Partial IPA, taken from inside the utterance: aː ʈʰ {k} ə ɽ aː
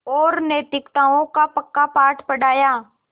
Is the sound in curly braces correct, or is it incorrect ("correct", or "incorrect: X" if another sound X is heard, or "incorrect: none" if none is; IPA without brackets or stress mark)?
incorrect: p